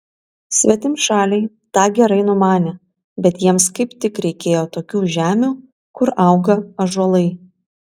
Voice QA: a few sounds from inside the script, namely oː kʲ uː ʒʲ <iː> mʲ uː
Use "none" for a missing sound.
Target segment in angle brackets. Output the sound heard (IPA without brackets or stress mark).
æː